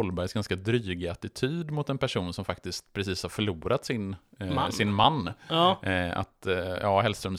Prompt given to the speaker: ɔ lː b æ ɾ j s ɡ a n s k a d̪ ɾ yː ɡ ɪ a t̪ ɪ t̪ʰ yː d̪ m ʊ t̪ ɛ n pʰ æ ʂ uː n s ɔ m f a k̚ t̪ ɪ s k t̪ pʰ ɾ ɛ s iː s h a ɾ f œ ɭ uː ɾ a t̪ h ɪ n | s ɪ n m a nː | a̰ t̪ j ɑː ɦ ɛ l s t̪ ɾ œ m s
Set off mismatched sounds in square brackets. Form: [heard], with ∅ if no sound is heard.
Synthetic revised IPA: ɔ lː b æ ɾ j s ɡ a n s k a d̪ ɾ yː ɡ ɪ a t̪ ɪ t̪ʰ yː d̪ m ʊ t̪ ɛ n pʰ æ ʂ uː n s ɔ m f a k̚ t̪ ɪ s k t̪ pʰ ɾ ɛ s iː s h a ɾ f œ ɭ uː ɾ a t̪ [s] ɪ n | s ɪ n m a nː | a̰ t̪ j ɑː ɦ ɛ l s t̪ ɾ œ m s